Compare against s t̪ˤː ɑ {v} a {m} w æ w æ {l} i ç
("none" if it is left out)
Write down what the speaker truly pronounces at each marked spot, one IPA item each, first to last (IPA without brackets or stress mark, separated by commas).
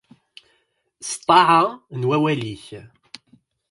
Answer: ʕ, n, l